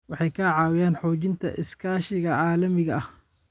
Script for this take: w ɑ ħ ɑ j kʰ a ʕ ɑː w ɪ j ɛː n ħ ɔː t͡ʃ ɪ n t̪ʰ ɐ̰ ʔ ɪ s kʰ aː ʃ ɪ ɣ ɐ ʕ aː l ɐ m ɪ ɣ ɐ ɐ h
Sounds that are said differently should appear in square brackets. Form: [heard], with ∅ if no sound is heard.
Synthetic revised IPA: w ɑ ħ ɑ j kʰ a ʕ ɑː w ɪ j [aː] n ħ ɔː t͡ʃ ɪ n t̪ʰ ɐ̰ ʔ ɪ s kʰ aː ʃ ɪ ɣ ɐ ʕ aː l ɐ m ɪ ɣ ɐ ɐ h